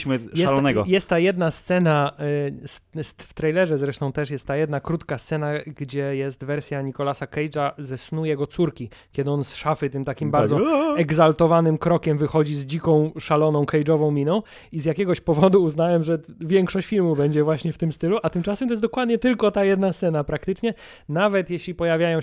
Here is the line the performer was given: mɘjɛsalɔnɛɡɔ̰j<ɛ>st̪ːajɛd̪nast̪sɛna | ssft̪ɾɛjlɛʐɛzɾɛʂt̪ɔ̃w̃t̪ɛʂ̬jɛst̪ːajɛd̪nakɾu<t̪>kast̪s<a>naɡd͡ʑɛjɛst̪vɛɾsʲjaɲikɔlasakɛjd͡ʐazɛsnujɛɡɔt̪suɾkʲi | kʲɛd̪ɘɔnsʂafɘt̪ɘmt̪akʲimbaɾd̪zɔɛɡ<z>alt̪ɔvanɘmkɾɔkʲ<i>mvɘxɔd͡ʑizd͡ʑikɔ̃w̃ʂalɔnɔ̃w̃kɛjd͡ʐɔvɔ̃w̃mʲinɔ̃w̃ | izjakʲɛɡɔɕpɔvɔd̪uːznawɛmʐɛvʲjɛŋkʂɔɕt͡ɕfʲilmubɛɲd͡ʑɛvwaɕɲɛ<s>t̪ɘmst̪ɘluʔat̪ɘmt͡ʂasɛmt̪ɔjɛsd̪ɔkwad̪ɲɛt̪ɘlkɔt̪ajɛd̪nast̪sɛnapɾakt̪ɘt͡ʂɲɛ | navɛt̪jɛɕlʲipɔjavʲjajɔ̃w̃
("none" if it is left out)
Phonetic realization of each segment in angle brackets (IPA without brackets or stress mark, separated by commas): ɛ, t̪, ɛ, z, ɛ, f